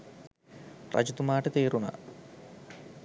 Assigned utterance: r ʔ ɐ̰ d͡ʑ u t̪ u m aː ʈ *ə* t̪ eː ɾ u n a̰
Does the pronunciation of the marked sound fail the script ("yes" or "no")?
no